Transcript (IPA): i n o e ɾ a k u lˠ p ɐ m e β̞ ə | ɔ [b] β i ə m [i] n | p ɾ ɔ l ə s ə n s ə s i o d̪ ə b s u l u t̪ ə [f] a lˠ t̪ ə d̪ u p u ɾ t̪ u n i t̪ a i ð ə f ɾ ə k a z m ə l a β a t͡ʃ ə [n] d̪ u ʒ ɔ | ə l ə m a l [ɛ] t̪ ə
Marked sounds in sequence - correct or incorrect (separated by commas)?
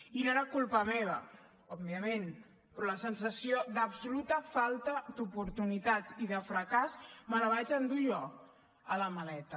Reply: correct, incorrect, correct, correct, correct